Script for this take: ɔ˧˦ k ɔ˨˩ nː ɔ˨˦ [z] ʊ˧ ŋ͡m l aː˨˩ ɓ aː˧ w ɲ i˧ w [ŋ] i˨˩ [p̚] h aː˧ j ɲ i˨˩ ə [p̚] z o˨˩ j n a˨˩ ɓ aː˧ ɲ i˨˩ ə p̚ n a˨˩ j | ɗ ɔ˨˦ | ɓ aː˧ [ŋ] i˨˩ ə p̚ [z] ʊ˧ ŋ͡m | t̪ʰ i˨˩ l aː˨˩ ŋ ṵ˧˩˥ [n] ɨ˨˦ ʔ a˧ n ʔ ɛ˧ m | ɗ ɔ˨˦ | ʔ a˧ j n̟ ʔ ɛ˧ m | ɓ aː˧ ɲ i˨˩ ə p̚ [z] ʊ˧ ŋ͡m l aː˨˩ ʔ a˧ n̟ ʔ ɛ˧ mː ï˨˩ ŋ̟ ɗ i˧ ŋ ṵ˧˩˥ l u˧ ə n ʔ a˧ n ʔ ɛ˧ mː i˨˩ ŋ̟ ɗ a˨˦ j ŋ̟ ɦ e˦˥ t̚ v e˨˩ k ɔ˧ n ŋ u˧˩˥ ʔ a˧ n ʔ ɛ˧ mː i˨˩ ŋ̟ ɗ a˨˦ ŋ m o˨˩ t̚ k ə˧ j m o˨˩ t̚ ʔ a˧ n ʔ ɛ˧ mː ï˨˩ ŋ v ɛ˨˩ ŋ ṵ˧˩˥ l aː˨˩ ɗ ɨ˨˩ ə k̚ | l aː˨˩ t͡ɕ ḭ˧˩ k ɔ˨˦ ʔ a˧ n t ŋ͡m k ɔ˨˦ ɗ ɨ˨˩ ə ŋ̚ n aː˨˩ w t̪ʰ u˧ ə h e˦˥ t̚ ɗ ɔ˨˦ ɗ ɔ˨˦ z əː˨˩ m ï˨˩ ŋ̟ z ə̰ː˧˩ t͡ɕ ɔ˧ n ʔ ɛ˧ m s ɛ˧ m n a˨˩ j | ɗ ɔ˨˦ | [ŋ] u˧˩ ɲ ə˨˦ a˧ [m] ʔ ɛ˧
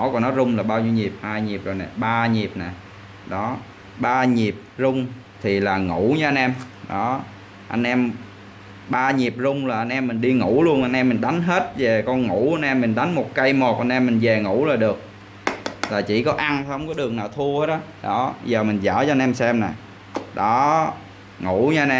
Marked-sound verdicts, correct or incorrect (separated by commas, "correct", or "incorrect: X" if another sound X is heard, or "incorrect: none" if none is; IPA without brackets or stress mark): correct, incorrect: ɲ, correct, correct, incorrect: ɲ, correct, incorrect: ɲ, correct, correct, incorrect: n